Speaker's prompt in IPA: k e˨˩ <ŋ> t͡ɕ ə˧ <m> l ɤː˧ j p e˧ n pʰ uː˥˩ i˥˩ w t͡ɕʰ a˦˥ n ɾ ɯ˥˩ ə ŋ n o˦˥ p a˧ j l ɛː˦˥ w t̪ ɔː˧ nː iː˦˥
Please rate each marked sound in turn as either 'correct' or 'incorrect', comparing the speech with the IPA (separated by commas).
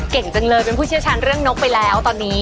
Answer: correct, incorrect